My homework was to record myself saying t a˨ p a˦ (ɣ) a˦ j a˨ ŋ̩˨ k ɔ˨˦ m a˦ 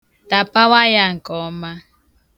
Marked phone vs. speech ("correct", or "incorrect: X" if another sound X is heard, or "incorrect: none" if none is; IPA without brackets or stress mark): incorrect: w